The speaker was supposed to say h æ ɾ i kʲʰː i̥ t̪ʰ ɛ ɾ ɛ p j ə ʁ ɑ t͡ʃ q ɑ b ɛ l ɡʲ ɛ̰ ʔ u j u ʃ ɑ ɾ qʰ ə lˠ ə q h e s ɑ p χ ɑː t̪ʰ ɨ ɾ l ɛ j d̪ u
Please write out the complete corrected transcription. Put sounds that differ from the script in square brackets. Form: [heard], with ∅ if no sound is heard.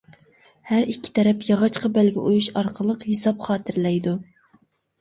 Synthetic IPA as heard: h æ ɾ i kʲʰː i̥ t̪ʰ ɛ ɾ ɛ p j [ɑ] ʁ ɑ t͡ʃ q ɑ b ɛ l ɡʲ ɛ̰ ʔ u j u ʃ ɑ ɾ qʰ ə lˠ ə q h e s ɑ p χ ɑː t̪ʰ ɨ ɾ l ɛ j d̪ u